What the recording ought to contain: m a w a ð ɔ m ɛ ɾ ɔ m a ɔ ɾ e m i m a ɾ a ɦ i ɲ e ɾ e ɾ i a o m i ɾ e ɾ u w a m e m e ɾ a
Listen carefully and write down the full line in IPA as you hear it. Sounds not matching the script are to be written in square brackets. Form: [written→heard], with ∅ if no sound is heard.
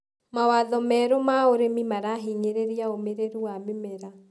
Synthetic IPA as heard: m a w a ð ɔ m ɛ ɾ [ɔ→o] m a [ɔ→o] ɾ e m i m a ɾ a ɦ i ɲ e ɾ e ɾ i a o m [i→e] ɾ e ɾ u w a m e m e ɾ a